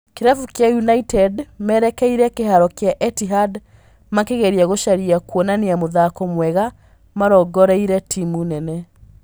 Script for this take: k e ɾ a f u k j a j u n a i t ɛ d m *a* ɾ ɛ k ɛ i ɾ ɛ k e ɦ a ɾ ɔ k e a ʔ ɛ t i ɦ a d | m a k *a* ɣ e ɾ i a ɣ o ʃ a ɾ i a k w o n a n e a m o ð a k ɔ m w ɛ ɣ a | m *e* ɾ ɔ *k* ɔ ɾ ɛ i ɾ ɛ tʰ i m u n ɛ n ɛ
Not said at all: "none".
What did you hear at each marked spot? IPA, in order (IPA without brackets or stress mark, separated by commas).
ɛ, e, a, ɡ